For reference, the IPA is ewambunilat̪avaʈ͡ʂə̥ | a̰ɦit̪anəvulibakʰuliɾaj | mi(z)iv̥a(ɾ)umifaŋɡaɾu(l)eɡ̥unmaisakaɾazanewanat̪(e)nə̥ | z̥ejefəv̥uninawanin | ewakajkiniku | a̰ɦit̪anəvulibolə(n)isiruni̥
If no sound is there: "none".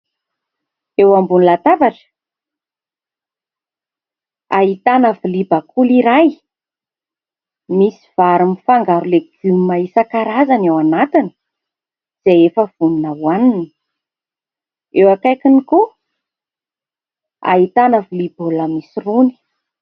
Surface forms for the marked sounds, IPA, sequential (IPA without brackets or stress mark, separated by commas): s, ɾ, l, i, m